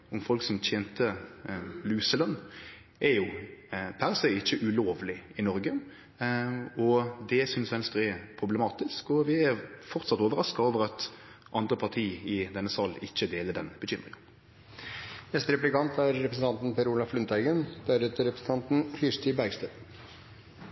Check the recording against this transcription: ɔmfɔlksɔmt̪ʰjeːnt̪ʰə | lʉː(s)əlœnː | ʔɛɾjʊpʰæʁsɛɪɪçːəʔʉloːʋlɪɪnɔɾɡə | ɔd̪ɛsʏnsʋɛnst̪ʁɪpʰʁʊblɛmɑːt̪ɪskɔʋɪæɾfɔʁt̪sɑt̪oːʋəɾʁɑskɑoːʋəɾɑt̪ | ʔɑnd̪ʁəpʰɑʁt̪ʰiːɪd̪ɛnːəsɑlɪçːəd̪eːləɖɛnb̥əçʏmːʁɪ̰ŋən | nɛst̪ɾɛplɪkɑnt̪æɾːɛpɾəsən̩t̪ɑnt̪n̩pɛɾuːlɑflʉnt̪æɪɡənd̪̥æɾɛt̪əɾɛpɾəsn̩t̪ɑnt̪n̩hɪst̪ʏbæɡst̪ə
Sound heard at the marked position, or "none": s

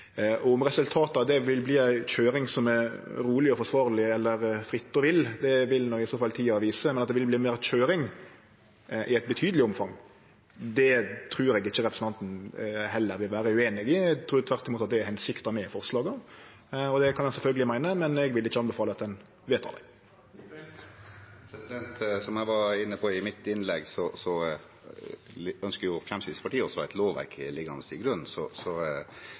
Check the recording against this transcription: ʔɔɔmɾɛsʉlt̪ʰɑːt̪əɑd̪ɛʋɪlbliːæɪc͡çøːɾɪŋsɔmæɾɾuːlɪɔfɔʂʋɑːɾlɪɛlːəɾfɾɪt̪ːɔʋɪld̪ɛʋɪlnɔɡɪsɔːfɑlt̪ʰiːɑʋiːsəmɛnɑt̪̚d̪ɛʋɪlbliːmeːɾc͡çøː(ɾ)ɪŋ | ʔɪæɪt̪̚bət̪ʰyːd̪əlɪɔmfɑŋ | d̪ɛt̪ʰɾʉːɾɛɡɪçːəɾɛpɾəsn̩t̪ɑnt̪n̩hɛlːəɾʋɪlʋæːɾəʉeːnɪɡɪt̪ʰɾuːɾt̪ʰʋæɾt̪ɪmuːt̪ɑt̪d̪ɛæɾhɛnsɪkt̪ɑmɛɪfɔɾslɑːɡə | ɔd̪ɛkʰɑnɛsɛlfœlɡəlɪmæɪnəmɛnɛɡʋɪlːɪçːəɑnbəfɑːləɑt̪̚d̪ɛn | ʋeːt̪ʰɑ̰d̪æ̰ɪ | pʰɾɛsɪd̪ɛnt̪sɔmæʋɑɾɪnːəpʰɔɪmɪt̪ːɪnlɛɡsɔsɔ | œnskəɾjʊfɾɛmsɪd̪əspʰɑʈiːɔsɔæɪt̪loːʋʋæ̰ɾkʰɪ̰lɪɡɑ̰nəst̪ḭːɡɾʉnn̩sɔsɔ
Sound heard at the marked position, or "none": ɾ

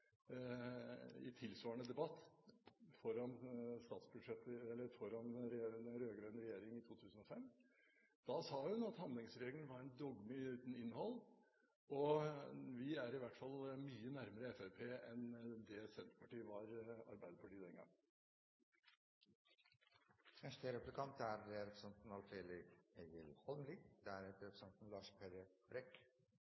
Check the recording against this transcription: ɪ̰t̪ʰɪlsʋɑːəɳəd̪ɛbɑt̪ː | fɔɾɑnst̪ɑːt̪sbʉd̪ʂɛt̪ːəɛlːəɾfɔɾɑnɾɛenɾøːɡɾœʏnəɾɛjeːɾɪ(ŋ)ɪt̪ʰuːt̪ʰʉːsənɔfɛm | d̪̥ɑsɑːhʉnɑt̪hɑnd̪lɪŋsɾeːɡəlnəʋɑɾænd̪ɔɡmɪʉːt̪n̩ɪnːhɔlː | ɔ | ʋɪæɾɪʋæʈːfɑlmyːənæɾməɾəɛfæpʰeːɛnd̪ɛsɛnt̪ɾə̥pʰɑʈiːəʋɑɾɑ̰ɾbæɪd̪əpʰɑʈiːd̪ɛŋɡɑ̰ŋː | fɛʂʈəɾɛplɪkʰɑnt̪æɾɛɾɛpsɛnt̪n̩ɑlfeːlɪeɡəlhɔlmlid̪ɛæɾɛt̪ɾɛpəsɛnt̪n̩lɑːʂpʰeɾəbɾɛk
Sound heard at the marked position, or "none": ŋ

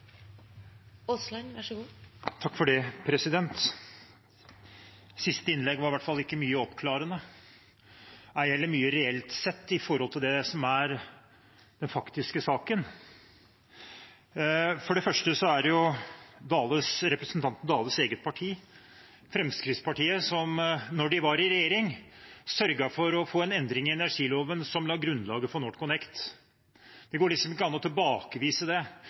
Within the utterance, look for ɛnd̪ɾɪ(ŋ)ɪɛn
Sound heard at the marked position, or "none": ŋ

